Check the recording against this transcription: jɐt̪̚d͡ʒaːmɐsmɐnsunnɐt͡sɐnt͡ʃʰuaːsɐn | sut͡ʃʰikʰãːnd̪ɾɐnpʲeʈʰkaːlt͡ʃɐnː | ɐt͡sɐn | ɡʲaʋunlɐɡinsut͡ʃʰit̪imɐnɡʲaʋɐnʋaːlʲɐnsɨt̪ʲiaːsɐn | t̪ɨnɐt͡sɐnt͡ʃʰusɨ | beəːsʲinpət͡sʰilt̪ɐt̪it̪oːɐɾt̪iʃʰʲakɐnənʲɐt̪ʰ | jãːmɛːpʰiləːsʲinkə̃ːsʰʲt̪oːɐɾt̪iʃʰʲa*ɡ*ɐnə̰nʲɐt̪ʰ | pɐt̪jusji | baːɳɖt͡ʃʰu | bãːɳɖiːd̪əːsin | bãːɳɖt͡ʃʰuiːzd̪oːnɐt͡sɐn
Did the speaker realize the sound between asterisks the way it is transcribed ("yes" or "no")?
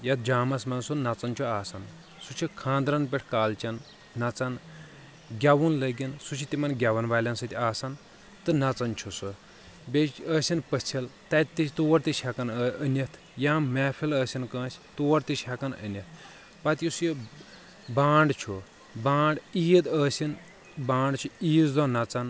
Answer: no